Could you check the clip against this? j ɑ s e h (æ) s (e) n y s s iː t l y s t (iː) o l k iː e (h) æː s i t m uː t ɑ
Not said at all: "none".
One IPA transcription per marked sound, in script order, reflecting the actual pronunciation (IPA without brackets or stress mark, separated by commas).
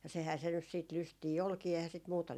æː, e, iː, h